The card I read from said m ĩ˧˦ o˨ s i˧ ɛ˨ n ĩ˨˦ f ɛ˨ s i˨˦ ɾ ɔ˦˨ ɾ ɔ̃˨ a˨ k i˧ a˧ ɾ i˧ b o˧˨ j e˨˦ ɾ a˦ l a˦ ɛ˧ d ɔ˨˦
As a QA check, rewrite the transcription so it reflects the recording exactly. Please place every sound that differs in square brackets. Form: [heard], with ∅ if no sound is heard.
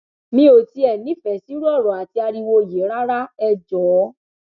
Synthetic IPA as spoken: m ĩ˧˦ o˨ [t] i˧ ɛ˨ n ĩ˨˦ f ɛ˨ s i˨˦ ɾ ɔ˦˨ ɾ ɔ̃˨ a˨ [t] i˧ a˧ ɾ i˧ [w] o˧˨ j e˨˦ ɾ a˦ [ɾ] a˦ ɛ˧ [d͡ʒ] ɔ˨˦

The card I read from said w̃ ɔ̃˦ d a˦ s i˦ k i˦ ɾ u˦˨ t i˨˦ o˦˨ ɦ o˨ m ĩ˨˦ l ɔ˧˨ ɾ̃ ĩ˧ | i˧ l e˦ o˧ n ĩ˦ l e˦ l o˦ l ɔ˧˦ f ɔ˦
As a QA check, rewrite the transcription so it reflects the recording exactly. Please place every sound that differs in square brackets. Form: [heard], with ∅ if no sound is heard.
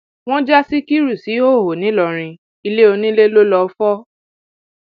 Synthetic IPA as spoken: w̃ ɔ̃˦ [d͡ʒ] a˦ s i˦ k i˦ ɾ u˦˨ [s] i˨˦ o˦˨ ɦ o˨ [n] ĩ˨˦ l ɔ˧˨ ɾ̃ ĩ˧ | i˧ l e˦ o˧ n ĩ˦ l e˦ l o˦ l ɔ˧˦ f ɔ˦

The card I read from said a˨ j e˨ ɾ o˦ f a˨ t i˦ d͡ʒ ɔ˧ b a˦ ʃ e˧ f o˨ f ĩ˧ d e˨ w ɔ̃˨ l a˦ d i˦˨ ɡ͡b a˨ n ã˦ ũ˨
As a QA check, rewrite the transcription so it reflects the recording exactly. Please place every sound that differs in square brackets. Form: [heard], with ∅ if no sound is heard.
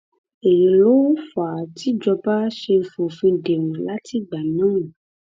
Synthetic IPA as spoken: [e˨] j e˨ [l] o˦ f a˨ t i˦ d͡ʒ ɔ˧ b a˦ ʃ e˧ f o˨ f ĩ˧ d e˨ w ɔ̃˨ l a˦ [t] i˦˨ ɡ͡b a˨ n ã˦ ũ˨

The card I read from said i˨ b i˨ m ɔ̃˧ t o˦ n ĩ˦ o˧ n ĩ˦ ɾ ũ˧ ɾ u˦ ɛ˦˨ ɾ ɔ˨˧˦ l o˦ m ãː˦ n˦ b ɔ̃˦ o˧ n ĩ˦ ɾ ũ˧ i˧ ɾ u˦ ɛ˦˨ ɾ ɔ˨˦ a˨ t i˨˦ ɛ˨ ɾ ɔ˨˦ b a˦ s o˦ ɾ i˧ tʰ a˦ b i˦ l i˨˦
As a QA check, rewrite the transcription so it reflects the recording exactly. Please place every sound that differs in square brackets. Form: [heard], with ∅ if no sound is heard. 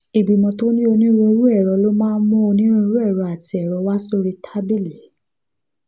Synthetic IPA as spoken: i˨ b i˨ m ɔ̃˧ t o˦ n ĩ˦ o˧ n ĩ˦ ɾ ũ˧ ɾ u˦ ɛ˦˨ ɾ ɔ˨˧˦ l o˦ m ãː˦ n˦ [m] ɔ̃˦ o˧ n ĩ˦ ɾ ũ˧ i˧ ɾ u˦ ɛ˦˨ ɾ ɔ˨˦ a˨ t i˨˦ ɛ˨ ɾ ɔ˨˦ [w] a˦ s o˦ ɾ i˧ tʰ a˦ b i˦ l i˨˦

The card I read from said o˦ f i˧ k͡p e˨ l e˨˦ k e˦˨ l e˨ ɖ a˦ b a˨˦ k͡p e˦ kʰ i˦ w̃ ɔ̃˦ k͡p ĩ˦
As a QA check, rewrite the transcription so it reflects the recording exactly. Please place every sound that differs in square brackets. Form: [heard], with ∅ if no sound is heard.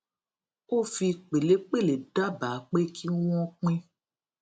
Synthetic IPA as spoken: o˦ f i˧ k͡p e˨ l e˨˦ [k͡p] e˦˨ l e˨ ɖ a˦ b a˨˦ k͡p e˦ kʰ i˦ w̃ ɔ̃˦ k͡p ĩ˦

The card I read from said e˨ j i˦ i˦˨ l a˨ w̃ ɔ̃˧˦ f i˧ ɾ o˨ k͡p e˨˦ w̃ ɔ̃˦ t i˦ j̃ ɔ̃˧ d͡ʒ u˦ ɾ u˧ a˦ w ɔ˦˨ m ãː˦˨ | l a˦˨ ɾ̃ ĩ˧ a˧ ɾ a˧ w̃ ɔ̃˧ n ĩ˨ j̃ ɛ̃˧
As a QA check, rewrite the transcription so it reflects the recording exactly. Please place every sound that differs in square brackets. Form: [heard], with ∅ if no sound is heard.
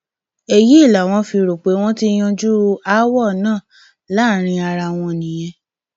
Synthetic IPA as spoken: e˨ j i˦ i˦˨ l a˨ w̃ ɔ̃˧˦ f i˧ ɾ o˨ k͡p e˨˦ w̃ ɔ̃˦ t i˦ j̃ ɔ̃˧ d͡ʒ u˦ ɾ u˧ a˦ w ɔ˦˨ [n] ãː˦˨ | l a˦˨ ɾ̃ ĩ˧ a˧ ɾ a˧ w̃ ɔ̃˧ n ĩ˨ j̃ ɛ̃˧

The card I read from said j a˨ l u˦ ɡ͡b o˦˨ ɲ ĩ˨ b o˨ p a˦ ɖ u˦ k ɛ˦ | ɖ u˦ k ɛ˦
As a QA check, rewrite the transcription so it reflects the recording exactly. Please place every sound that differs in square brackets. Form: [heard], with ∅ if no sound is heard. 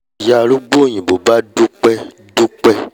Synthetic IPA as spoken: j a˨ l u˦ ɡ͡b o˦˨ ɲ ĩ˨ b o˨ [b] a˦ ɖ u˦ [k͡p] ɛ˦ | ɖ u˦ [k͡p] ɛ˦

